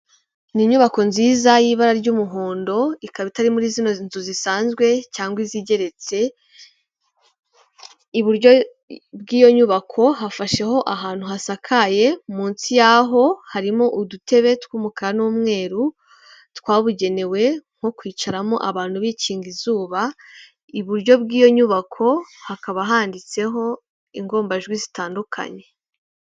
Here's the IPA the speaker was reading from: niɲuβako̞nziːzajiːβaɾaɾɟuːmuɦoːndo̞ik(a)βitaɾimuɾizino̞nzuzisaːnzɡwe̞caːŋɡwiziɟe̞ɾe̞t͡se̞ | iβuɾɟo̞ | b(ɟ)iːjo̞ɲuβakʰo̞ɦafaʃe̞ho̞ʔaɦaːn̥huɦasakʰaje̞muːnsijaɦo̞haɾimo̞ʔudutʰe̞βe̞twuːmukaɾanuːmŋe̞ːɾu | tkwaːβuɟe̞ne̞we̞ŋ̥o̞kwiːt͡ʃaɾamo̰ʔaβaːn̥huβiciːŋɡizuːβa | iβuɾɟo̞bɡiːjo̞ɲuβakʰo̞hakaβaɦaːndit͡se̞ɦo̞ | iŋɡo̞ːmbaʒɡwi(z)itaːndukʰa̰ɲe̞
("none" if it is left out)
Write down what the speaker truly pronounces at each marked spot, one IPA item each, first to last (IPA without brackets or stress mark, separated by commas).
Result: a, ɡ, z